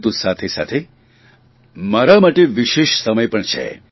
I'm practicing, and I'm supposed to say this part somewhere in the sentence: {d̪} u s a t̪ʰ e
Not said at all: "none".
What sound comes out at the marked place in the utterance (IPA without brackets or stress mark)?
t̪